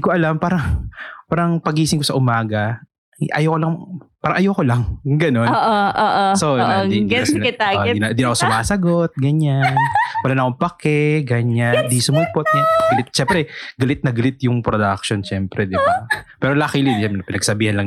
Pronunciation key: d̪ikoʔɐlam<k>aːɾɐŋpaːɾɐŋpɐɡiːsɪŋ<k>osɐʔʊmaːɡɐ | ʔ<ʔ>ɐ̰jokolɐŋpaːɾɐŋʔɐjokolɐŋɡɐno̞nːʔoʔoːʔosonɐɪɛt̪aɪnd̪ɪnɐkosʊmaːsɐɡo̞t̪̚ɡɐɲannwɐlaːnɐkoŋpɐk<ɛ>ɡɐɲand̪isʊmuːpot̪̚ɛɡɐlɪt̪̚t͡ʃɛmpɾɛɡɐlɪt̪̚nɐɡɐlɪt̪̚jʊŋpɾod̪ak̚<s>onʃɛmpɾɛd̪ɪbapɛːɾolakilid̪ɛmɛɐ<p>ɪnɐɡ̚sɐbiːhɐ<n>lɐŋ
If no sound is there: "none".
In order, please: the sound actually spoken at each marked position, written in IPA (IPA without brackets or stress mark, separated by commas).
p, k, ʔ, ɛ, ʃ, p, n